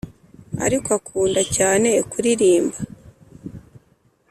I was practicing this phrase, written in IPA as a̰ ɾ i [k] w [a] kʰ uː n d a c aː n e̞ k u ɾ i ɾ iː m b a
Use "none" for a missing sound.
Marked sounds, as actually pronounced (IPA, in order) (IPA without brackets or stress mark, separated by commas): k, a